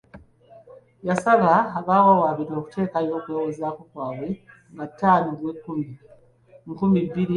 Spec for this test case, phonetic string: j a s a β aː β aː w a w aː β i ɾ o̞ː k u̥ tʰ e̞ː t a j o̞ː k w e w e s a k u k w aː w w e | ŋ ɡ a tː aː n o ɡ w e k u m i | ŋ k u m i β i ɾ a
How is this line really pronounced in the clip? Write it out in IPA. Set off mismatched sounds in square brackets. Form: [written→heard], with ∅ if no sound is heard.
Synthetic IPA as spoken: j a s a β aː β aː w a w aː β i ɾ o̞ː k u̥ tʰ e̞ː [t→k] a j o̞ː k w e w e [s→z] a k u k w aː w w e | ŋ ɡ a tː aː n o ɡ w e k u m i | ŋ k u m i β i ɾ [a→i]